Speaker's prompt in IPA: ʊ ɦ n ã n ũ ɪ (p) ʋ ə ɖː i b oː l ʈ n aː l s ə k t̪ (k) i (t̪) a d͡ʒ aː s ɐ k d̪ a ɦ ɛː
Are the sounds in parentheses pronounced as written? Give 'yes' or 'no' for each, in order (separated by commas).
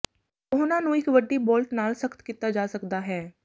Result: no, yes, yes